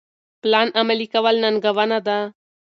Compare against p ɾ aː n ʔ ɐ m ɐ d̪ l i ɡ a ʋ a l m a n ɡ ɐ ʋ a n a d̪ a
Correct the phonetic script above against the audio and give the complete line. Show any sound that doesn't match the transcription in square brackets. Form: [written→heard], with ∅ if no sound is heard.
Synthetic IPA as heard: p [ɾ→l] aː n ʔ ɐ m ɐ [d̪→∅] l i [ɡ→k] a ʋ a l [m→n] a n ɡ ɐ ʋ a n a d̪ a